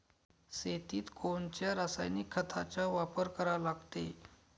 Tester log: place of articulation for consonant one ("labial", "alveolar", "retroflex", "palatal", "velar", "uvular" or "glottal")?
alveolar